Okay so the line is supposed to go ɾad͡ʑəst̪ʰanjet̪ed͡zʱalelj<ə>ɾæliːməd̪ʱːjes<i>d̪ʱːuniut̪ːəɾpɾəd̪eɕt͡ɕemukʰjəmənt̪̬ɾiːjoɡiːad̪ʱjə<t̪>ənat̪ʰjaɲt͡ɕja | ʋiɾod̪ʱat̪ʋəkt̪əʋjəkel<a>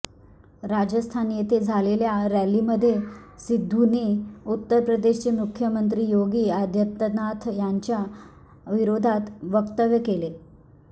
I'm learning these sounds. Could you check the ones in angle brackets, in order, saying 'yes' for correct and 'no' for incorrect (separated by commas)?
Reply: no, yes, yes, no